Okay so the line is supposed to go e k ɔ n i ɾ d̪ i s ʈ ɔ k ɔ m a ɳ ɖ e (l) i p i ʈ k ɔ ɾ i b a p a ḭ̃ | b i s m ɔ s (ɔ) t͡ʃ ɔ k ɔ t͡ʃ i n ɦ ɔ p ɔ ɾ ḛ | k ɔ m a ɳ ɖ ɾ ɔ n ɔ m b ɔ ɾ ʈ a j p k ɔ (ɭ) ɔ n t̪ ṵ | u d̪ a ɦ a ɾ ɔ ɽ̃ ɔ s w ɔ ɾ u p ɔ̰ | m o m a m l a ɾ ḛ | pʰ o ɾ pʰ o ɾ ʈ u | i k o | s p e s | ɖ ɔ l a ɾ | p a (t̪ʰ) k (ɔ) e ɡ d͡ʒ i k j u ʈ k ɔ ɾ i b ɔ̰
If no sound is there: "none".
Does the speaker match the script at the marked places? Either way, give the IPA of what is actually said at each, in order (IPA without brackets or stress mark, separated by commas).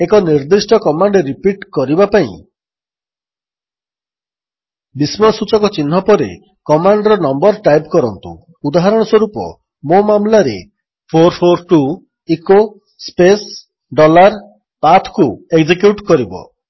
ɾ, u, ɾ, t̪ʰ, u